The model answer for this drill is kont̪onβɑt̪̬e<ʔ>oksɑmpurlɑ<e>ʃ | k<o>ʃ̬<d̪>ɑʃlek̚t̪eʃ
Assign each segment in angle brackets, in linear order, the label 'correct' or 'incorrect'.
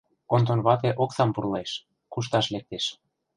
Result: correct, correct, incorrect, incorrect

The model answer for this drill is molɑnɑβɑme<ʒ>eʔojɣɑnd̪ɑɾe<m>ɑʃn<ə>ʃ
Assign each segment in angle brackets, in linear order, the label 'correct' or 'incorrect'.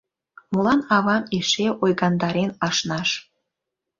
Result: incorrect, incorrect, incorrect

